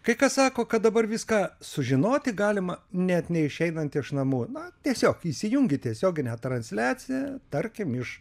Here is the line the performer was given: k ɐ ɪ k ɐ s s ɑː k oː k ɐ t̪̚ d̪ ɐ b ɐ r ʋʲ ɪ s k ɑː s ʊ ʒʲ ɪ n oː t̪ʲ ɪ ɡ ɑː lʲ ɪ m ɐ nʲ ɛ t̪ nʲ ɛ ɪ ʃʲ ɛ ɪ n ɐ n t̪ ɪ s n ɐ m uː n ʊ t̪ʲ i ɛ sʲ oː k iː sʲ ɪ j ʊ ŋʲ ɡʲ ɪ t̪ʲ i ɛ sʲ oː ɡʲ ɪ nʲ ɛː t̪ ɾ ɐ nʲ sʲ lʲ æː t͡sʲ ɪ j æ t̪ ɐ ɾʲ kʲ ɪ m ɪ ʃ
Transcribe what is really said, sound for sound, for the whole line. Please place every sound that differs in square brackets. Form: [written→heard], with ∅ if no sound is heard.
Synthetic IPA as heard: k ɐ ɪ k ɐ s s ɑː k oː k ɐ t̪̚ d̪ ɐ b ɐ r ʋʲ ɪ s k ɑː s ʊ ʒʲ ɪ n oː t̪ʲ ɪ ɡ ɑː lʲ ɪ m ɐ nʲ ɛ t̪ nʲ ɛ ɪ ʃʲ ɛ ɪ n ɐ n t̪ ɪ [s→ʃ] n ɐ m uː n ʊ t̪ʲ i ɛ sʲ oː k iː sʲ ɪ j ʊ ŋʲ ɡʲ ɪ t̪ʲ i ɛ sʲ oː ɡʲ ɪ nʲ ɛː t̪ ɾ ɐ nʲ sʲ lʲ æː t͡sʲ ɪ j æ t̪ ɐ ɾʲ kʲ ɪ m ɪ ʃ